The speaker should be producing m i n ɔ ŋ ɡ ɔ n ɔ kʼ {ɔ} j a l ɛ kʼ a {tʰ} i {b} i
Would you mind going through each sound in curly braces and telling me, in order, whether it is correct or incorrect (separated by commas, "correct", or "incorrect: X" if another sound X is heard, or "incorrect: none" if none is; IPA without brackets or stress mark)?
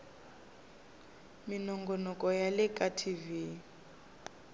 correct, correct, incorrect: v